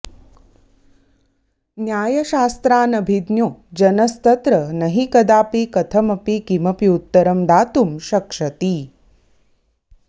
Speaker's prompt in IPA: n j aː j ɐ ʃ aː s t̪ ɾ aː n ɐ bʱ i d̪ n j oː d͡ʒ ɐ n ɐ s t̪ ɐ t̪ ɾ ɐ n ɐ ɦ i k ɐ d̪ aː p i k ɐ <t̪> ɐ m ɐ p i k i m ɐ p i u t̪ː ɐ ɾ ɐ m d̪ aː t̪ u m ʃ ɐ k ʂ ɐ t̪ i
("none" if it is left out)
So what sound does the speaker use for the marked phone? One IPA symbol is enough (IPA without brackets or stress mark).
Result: t̪ʰ